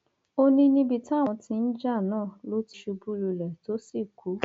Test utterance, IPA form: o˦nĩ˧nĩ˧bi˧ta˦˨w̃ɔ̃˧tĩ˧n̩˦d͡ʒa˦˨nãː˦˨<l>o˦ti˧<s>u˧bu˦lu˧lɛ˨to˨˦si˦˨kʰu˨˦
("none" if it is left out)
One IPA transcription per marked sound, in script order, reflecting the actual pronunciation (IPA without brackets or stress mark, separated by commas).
l, ʃ